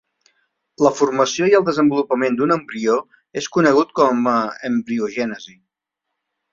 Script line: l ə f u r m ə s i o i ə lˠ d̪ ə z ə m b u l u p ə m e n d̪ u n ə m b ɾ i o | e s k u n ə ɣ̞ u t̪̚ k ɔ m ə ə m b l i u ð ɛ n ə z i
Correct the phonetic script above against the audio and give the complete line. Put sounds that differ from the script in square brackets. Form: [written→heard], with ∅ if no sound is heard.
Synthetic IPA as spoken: l ə f u r m ə s i o i ə lˠ d̪ ə z ə m b u l u p ə m e n d̪ u n ə m b ɾ i o | e s k u n ə ɣ̞ u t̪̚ k ɔ m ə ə m b [l→ɾ] i u [ð→ʒ] ɛ n ə z i